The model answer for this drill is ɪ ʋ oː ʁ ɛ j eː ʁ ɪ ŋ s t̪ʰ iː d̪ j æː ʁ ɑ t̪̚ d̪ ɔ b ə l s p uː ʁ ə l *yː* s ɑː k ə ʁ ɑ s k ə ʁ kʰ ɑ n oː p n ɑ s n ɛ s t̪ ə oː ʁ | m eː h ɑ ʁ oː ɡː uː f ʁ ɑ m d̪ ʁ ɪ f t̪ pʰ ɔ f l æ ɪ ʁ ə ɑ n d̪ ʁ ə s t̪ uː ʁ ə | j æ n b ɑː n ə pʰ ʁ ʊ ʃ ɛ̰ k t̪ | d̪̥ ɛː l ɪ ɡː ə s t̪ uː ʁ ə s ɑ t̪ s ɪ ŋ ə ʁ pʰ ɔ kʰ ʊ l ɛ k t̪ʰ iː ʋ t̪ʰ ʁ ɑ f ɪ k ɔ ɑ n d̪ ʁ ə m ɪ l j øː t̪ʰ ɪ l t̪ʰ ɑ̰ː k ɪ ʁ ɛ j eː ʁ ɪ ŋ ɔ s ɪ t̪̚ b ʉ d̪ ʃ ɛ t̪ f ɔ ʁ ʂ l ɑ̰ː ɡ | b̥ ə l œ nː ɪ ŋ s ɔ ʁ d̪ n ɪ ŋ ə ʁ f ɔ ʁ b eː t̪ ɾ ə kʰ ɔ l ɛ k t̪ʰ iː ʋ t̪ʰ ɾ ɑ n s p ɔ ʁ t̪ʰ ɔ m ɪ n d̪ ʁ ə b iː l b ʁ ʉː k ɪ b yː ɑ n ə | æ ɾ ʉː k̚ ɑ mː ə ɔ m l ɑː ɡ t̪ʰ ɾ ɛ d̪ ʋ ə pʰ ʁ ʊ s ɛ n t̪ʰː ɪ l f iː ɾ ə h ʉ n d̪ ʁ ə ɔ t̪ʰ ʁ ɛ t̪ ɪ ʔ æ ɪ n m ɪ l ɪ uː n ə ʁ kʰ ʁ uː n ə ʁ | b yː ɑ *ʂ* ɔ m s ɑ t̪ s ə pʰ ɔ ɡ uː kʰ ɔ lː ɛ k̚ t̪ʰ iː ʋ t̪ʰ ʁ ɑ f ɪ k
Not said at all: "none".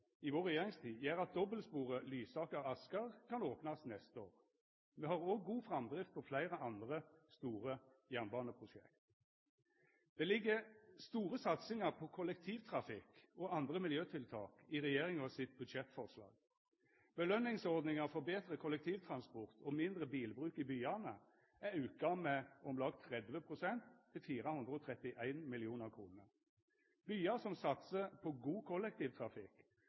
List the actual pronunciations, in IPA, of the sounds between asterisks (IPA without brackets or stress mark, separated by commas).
yː, s